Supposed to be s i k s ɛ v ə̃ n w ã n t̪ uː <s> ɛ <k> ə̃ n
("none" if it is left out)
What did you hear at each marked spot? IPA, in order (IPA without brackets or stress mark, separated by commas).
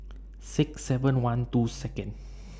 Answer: s, k